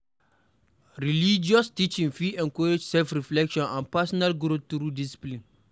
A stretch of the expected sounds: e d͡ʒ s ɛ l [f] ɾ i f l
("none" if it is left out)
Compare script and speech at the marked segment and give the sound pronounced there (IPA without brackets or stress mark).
f